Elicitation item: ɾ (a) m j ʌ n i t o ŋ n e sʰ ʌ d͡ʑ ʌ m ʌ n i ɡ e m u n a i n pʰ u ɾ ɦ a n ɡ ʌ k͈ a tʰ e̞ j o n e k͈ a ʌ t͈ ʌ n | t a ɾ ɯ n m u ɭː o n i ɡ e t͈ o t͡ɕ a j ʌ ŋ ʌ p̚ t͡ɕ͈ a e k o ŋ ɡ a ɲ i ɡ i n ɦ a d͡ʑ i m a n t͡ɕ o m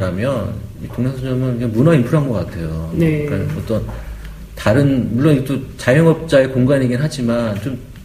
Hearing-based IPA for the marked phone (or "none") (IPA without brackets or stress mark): a